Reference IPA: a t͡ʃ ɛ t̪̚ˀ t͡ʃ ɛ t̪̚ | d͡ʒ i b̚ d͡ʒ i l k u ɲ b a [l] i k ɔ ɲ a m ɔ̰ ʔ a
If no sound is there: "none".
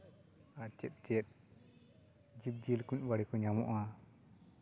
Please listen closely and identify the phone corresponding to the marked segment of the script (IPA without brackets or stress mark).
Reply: ɽ